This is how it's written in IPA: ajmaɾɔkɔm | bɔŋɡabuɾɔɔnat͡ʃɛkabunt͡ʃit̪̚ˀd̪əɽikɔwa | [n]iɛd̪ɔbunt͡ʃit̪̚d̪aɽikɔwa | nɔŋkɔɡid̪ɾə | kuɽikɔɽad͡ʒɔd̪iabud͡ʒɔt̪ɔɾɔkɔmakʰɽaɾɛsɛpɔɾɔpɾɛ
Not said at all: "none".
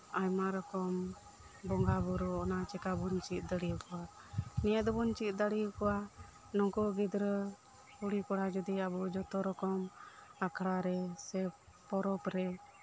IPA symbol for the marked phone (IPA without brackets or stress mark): n